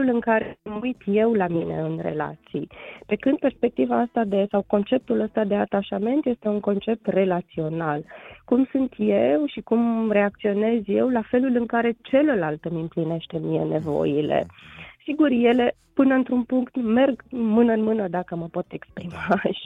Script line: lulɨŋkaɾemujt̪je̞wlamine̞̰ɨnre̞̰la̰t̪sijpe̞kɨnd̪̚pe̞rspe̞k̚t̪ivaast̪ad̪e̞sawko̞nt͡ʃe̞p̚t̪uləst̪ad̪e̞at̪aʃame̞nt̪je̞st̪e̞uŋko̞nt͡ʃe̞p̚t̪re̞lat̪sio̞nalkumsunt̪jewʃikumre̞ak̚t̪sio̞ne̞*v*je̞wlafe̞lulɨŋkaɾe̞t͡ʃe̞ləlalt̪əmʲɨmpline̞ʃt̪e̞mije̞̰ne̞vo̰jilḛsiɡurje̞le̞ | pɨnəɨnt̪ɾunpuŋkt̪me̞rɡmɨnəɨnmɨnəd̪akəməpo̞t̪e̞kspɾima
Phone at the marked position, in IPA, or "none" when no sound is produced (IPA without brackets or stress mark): z